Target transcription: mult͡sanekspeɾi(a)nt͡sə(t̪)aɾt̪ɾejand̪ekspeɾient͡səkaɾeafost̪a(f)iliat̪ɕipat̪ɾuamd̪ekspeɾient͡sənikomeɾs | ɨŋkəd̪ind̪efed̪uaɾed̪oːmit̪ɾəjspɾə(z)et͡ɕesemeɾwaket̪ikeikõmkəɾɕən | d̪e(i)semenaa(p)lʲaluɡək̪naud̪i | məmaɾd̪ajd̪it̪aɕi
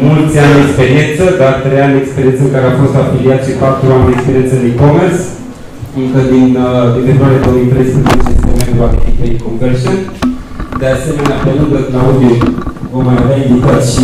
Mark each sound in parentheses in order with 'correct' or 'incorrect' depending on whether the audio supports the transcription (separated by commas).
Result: incorrect, incorrect, correct, correct, incorrect, correct